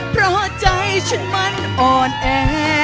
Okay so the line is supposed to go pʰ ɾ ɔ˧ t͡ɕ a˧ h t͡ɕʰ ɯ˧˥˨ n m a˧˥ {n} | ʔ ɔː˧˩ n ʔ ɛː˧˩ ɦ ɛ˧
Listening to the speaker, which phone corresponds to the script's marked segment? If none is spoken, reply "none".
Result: n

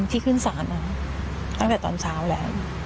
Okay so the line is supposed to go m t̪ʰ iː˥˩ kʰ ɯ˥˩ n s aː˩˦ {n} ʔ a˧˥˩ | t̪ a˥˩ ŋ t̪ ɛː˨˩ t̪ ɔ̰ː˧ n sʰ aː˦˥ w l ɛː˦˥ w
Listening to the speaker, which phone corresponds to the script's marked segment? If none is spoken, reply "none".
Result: n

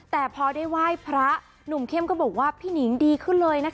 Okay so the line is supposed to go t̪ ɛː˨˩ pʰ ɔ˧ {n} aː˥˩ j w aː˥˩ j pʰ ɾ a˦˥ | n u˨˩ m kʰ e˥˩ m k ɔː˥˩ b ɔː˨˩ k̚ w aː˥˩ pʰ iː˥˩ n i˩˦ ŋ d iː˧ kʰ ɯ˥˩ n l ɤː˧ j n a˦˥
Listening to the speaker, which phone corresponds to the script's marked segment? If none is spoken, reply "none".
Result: d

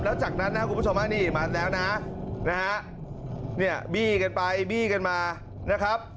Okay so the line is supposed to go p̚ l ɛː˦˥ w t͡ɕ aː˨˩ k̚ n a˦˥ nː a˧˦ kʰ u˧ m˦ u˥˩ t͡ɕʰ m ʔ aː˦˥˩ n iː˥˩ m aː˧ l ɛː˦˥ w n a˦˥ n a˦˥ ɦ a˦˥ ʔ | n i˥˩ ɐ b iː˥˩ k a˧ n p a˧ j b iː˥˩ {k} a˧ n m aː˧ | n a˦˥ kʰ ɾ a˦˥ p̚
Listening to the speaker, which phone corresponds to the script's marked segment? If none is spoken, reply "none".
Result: k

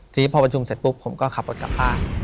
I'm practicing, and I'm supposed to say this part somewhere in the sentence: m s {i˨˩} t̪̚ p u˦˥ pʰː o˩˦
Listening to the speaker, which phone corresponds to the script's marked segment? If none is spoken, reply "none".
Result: e˨˩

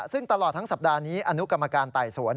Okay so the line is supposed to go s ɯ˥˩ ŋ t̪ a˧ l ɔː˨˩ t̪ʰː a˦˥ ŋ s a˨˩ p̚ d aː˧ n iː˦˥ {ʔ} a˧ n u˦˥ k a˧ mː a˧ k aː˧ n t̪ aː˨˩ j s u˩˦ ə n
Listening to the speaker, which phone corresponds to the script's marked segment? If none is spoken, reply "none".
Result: ʔ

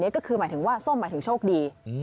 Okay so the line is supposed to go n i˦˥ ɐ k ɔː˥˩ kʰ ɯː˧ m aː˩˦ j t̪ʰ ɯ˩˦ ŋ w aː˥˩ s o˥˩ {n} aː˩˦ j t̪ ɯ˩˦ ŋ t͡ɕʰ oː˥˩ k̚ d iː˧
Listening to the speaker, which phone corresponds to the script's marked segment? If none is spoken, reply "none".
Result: m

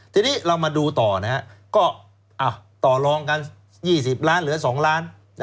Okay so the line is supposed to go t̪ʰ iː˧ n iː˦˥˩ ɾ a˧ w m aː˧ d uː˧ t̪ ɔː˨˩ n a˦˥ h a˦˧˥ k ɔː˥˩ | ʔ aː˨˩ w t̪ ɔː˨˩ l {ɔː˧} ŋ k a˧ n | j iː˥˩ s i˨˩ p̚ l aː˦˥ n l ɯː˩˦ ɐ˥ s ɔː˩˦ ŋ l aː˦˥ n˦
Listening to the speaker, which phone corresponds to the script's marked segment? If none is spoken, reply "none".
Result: ɔː˧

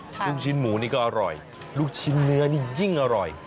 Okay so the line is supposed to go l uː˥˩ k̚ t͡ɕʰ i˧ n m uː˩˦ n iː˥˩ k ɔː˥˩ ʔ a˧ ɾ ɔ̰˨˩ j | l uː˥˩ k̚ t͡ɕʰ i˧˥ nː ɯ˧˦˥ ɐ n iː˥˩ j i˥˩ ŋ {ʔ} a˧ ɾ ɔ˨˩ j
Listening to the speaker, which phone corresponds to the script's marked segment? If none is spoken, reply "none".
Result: ʔ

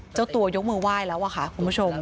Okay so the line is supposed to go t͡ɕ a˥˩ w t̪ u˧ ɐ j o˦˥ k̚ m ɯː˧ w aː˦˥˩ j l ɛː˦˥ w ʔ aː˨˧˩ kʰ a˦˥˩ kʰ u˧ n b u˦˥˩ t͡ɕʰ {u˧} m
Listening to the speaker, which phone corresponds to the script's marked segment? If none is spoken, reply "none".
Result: o˧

